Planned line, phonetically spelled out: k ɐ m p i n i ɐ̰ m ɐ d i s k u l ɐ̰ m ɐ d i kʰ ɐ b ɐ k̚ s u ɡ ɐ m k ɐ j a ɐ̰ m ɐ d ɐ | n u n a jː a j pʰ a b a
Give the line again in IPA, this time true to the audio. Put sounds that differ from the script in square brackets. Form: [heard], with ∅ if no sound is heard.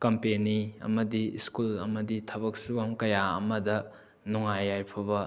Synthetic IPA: k ɐ m p [e] n i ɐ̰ m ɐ d i s k u l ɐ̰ m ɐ d i [tʰ] ɐ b ɐ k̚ s u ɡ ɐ m k ɐ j a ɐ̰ m ɐ d ɐ | n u [ŋ] a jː a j pʰ [ɐ] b [ɐ]